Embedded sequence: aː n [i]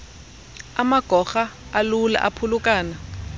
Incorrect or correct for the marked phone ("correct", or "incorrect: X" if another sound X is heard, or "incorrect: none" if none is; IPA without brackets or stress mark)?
incorrect: a